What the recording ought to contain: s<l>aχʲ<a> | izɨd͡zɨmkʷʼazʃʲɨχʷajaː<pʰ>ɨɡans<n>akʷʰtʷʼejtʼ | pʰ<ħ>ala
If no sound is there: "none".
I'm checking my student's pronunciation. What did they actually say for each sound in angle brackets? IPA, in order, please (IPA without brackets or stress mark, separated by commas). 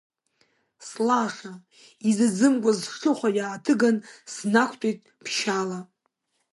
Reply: l, a, tʰ, n, ʃ